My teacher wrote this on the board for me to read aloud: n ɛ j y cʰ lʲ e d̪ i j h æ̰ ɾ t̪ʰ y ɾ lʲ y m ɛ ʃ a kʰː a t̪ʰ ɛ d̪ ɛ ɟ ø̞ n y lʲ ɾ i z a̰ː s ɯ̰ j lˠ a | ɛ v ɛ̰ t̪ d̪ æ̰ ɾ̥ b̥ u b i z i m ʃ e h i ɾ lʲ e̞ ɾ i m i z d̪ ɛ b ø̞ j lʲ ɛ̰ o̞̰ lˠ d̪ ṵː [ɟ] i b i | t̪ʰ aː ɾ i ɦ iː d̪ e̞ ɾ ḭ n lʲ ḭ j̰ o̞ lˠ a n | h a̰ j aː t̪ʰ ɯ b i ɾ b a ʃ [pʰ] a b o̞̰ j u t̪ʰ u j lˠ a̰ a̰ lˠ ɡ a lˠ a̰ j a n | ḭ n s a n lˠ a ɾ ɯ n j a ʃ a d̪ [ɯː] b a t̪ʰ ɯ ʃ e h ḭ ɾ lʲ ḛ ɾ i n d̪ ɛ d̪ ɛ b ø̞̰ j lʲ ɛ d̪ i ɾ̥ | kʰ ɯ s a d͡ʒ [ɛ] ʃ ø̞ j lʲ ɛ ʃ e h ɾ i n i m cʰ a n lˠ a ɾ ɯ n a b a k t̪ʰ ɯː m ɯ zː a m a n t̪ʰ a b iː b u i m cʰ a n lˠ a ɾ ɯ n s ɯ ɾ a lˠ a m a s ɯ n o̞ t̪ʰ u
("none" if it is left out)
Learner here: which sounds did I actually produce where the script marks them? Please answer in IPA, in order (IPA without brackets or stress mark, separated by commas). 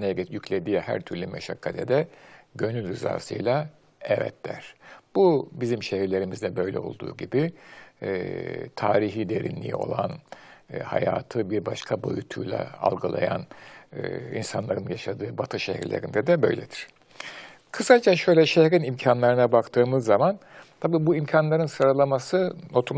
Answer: ɟ, kʰ, ɯː, a